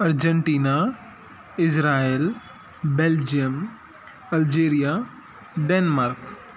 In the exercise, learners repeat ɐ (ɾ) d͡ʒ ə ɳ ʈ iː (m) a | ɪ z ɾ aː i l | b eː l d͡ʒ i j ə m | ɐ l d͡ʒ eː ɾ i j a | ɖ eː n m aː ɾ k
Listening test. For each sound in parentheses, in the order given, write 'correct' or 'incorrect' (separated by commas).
correct, incorrect